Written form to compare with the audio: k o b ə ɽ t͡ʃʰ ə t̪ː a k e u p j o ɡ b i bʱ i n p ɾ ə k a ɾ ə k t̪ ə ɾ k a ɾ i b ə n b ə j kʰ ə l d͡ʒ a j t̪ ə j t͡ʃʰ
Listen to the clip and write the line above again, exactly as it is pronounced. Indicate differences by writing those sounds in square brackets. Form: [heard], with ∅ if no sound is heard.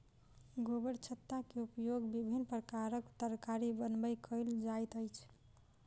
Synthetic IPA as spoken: [ɡ] o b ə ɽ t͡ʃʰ ə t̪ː a k e u p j o ɡ b i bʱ i n p ɾ ə k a ɾ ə k t̪ ə ɾ k a ɾ i b ə n b ə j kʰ ə l d͡ʒ a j t̪ ə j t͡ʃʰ